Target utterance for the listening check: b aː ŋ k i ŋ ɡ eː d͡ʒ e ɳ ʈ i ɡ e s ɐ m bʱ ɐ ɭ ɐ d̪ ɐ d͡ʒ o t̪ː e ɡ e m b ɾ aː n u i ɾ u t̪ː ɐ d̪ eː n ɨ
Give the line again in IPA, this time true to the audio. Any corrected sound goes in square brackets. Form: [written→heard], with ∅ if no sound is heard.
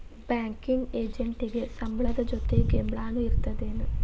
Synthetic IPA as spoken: b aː ŋ k i ŋ ɡ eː d͡ʒ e ɳ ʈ i ɡ e s ɐ m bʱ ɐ ɭ ɐ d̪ ɐ d͡ʒ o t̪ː e ɡ e m b [ɾ→ɭ] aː n u i ɾ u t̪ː ɐ d̪ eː n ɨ